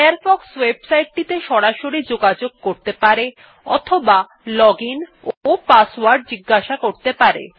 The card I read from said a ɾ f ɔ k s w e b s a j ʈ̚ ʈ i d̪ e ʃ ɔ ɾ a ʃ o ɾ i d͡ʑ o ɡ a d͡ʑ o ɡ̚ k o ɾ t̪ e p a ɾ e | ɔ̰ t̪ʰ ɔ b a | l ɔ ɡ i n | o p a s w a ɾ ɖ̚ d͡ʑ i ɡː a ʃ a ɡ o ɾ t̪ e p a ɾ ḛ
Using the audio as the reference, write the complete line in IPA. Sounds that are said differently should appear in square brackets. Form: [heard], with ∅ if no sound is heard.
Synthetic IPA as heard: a ɾ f ɔ k s w e b s a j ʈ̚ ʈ i [t̪] e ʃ ɔ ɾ a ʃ o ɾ i d͡ʑ o ɡ a d͡ʑ o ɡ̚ k o ɾ t̪ e p a ɾ e | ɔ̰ t̪ʰ [o] b a | l ɔ ɡ i n | o p a s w a ɾ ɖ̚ d͡ʑ i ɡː a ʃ a [k] o ɾ t̪ e p a ɾ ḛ